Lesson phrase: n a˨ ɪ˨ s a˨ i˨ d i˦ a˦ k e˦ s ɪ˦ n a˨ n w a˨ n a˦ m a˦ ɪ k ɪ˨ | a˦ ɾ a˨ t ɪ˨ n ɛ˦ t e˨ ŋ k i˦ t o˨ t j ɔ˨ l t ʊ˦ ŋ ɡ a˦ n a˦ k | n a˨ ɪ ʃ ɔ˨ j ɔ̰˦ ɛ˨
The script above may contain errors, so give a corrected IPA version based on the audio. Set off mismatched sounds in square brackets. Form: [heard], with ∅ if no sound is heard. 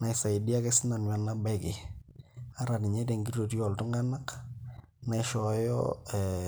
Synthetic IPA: n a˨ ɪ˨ s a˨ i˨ d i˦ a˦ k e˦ s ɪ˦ n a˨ n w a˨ n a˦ [b] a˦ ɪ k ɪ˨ | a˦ ɾ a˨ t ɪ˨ [ɲ] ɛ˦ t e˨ ŋ [ɡ] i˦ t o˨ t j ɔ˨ l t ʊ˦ ŋ ɡ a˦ n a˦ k | n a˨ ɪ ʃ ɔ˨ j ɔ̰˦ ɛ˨